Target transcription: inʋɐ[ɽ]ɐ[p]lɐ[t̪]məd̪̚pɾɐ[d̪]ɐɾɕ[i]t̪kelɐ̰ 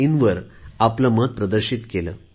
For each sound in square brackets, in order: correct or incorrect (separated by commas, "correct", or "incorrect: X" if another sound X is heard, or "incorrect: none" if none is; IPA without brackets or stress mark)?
incorrect: ɾ, correct, incorrect: none, correct, correct